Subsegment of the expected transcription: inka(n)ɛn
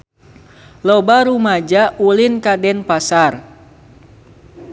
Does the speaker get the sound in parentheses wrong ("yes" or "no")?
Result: yes